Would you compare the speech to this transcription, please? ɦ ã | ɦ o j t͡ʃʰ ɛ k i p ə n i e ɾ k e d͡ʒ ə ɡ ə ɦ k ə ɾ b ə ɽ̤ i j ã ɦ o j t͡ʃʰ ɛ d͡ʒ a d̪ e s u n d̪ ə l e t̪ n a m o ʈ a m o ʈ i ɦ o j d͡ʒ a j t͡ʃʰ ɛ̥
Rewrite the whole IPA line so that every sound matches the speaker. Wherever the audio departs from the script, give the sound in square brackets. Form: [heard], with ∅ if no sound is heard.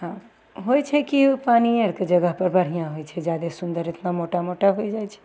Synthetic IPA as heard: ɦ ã | ɦ o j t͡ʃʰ ɛ k i p [a] n i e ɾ k e d͡ʒ ə ɡ ə ɦ [p] ə ɾ b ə ɽ̤ i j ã ɦ o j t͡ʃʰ ɛ d͡ʒ a d̪ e s u n d̪ ə [ɾ] e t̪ n a m o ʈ a m o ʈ [a] ɦ o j d͡ʒ a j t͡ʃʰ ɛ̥